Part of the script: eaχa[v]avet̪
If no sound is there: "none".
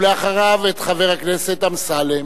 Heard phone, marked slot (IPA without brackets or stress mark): ʁ